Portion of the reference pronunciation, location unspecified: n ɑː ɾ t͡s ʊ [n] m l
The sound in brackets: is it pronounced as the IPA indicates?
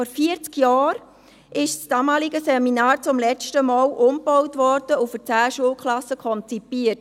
no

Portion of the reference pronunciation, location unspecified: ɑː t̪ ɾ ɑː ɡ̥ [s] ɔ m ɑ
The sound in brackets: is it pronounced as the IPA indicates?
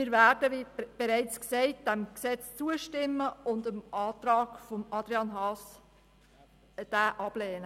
no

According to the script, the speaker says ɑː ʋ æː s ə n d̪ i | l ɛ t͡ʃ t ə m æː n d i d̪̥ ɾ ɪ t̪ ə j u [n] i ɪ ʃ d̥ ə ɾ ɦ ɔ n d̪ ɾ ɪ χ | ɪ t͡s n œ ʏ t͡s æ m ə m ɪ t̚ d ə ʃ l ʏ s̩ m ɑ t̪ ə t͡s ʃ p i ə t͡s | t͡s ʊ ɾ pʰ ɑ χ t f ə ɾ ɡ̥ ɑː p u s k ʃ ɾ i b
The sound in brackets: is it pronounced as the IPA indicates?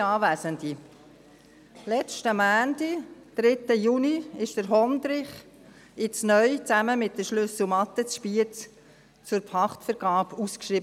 yes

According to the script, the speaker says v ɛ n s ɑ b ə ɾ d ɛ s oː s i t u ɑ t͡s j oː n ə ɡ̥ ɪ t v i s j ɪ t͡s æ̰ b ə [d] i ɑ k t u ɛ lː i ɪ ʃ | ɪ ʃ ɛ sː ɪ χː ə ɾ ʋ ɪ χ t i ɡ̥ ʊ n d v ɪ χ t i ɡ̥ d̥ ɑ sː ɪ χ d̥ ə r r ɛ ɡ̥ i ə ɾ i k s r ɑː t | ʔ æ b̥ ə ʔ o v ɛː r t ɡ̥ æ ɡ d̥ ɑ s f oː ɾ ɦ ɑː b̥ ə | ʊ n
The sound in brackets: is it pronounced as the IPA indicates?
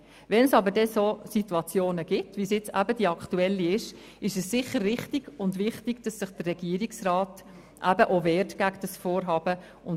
yes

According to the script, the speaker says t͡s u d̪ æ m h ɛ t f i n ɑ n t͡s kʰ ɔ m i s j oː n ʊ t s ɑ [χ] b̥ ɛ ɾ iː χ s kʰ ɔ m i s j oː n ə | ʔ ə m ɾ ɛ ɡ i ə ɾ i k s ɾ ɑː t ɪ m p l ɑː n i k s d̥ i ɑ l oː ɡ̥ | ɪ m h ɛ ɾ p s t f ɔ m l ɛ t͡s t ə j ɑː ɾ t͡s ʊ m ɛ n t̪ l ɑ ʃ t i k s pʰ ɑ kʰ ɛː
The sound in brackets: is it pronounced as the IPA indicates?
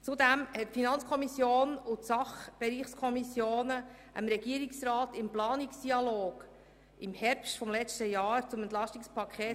yes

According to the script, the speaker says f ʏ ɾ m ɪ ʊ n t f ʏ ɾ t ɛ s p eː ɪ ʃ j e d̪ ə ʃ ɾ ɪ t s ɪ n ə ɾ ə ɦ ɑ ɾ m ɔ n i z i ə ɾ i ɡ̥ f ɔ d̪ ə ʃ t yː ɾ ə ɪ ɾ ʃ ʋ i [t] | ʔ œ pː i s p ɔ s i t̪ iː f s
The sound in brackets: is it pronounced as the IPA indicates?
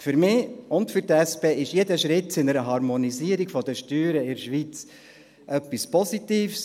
no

